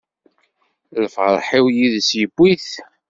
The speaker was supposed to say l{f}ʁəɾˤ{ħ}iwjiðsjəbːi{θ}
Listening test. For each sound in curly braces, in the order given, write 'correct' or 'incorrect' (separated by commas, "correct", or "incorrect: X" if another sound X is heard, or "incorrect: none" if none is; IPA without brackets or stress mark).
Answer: correct, correct, correct